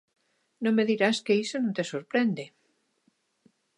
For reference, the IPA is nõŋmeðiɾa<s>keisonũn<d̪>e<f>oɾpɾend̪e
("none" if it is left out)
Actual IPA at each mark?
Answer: s, t̪, s

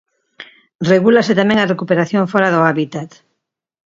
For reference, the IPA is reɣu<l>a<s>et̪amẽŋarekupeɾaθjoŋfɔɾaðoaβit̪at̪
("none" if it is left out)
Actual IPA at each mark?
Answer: l, s

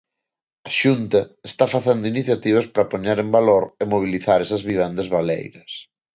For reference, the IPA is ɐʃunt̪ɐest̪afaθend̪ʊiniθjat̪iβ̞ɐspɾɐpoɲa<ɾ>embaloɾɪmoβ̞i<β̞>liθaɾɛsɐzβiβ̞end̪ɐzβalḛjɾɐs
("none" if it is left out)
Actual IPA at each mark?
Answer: ɾ, none

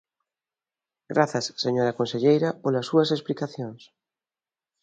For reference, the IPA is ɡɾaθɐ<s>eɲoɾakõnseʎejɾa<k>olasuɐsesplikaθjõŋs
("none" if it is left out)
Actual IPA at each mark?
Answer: sː, p

